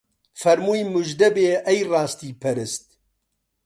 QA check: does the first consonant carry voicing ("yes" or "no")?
no